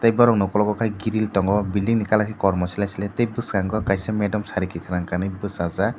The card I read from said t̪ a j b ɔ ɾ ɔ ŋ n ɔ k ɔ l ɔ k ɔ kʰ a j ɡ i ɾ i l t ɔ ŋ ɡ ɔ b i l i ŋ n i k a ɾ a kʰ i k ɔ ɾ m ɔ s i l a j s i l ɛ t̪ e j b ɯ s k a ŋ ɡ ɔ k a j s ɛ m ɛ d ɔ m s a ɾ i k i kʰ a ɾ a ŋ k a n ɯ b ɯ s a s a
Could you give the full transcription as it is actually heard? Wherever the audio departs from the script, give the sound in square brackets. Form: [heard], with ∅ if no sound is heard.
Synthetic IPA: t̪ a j b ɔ ɾ ɔ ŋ n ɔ k ɔ l ɔ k ɔ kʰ a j ɡ i ɾ i l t ɔ ŋ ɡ ɔ b i l i ŋ n i k a [l] a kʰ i k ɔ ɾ m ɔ s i l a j s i l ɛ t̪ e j b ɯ s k a ŋ ɡ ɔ k a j s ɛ m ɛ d ɔ m s a ɾ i k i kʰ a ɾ a ŋ k a n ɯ b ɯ s a [z] a